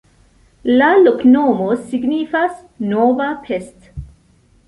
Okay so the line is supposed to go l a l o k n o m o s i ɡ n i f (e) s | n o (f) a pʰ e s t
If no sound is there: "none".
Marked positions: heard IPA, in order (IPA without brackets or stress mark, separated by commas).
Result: a, v